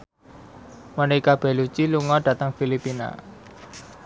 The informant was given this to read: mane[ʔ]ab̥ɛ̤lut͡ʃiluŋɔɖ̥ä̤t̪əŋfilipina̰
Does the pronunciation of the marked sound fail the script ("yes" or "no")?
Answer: yes